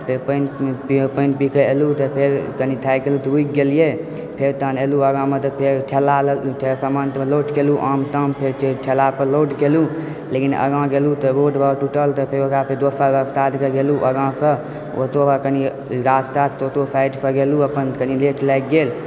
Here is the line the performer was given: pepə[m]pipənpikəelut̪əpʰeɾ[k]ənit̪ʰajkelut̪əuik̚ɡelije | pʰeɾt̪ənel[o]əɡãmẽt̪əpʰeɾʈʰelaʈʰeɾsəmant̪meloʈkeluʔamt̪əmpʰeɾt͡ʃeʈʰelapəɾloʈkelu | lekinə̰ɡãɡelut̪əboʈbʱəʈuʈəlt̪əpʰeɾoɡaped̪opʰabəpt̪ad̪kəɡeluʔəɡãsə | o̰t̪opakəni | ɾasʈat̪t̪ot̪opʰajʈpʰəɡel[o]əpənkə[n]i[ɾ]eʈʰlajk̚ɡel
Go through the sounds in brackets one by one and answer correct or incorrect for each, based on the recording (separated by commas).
incorrect, correct, incorrect, incorrect, correct, incorrect